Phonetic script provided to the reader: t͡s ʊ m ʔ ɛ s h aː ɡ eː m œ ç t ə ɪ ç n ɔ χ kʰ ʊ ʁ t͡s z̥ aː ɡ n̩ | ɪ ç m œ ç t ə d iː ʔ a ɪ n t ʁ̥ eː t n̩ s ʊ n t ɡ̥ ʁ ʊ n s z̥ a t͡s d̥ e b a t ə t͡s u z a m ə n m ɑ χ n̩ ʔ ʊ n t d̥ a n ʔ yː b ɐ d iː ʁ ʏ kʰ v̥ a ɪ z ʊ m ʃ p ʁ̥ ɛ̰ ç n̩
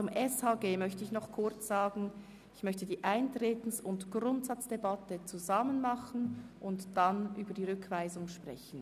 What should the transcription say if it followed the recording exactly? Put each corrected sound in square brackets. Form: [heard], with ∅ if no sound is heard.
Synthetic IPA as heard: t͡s ʊ m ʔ ɛ s h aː ɡ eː m œ ç t ə ɪ ç n ɔ χ kʰ ʊ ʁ t͡s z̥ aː ɡ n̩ | ɪ ç m œ ç t ə d iː ʔ a ɪ n t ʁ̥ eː t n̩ s ʊ n t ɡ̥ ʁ ʊ n [t] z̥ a t͡s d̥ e b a t ə t͡s u z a m ə n m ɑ χ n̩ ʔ ʊ n t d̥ a n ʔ yː b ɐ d iː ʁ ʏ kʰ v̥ a ɪ z ʊ [ŋ] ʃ p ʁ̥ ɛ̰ ç n̩